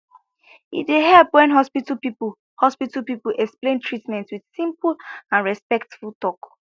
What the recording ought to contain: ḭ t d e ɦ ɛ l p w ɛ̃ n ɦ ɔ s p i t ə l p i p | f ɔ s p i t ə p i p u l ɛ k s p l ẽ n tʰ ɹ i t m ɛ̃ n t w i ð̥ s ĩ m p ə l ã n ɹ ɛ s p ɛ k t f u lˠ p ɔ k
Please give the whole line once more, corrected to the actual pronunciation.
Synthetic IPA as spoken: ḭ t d e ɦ ɛ l p w ɛ̃ n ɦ ɔ s p i t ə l p i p | h ɔ s p i t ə p i p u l ɛ k s p l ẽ n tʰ ɹ i t m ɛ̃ n t w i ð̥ s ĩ m p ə l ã n ɹ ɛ s p ɛ k t f u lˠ t ɔ k